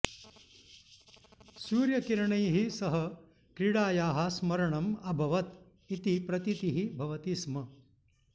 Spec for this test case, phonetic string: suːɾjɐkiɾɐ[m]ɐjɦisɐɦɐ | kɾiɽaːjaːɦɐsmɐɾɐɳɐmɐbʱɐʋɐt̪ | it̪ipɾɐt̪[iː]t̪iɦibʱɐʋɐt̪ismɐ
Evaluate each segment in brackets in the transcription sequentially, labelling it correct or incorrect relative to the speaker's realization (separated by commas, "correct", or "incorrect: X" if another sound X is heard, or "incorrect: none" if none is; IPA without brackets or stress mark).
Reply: incorrect: ɳ, incorrect: i